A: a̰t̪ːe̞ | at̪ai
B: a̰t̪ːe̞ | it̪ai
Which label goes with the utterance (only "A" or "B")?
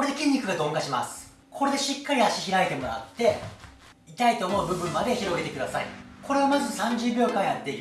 B